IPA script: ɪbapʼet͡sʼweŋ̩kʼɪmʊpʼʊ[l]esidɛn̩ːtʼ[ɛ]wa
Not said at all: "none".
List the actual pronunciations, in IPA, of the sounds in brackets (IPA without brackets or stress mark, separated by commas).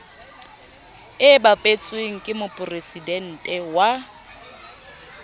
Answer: r, ɛ